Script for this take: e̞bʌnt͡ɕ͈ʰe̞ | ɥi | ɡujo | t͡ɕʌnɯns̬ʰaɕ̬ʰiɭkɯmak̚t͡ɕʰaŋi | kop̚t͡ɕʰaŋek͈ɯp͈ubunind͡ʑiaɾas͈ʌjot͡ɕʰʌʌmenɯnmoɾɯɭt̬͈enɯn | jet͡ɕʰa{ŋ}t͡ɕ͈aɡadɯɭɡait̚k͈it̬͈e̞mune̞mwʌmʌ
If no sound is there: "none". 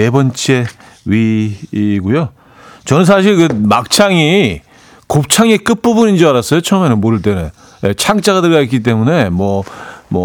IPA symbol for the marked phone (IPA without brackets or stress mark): ŋ